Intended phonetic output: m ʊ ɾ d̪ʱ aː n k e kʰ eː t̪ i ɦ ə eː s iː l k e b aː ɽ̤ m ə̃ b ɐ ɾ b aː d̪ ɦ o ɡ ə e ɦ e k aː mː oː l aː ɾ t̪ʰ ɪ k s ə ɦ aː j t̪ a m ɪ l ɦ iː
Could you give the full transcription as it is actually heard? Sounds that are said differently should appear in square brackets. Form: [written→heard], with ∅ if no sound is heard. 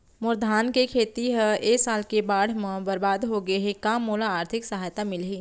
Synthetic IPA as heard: m ʊ ɾ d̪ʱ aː n k e kʰ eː t̪ i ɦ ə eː s [iː→aː] l k e b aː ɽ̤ m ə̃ b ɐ ɾ b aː d̪ ɦ o ɡ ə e ɦ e k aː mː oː l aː ɾ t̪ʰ ɪ k s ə ɦ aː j t̪ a m ɪ l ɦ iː